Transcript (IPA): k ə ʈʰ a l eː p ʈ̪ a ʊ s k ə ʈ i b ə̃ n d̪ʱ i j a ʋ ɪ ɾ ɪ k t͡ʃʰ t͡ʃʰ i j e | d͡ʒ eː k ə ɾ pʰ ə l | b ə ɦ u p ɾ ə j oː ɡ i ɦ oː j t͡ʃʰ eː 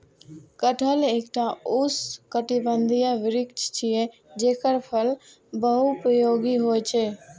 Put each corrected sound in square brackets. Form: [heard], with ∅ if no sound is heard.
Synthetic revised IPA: k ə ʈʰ [ə] l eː [k] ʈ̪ a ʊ s k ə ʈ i b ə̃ n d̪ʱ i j a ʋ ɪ ɾ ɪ k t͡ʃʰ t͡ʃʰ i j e | d͡ʒ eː k ə ɾ pʰ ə l | b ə ɦ u p ɾ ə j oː ɡ i ɦ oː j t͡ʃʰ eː